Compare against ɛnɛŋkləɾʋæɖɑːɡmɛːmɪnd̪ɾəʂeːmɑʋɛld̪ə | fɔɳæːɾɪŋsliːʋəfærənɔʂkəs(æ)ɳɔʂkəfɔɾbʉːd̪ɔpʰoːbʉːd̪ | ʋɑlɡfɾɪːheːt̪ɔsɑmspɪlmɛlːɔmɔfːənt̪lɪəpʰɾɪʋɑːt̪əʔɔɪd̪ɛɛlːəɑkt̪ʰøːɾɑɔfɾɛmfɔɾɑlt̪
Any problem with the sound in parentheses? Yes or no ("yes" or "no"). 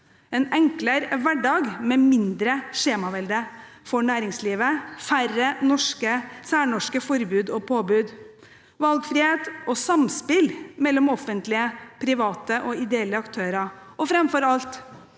yes